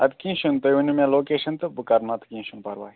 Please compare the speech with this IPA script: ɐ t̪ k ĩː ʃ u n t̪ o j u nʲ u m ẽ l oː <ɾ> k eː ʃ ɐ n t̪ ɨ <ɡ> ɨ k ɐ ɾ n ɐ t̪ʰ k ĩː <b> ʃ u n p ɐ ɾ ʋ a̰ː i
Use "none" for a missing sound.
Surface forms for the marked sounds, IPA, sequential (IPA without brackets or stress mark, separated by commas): none, b, none